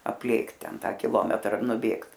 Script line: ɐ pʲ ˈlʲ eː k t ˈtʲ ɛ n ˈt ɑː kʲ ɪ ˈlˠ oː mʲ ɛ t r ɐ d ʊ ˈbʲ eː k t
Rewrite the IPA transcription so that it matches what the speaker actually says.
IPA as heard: ɐ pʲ ˈlʲ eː k t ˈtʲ ɛ n ˈt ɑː kʲ ɪ ˈlˠ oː mʲ ɛ t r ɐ n ʊ ˈbʲ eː k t